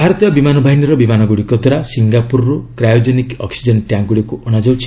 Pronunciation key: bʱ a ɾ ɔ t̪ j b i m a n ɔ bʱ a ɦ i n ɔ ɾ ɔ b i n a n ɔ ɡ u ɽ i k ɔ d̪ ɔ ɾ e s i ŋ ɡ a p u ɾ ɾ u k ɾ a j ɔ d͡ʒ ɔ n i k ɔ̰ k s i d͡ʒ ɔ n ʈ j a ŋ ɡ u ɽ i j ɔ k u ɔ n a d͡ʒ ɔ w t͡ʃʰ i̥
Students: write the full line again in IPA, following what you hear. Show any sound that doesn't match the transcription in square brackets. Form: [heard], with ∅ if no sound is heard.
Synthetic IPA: bʱ a ɾ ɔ t̪ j b i m a n ɔ bʱ a ɦ i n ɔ ɾ ɔ b i [m] a n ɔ ɡ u ɽ i k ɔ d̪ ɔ ɾ [a] s i ŋ ɡ a p u ɾ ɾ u k ɾ a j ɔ d͡ʒ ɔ n i k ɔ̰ k s i d͡ʒ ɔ n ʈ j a ŋ ɡ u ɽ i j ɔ k u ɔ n a d͡ʒ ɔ w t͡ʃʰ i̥